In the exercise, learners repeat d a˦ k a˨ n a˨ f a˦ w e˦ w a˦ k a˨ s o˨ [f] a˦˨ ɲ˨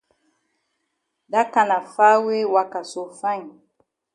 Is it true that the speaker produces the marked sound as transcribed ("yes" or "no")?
yes